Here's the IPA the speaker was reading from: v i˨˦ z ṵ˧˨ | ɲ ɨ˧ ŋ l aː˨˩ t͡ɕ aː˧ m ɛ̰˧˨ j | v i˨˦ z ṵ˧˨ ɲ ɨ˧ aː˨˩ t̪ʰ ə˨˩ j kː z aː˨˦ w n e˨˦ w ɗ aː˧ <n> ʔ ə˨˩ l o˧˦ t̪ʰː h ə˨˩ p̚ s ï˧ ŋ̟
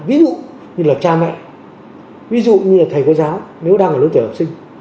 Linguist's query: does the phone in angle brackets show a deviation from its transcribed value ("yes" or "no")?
yes